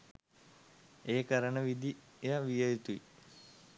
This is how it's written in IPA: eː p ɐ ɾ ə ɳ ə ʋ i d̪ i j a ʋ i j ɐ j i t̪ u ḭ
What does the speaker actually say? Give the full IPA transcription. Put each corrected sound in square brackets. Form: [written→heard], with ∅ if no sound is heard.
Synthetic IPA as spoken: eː [p→k] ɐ ɾ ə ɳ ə ʋ i d̪ i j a ʋ i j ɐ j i t̪ u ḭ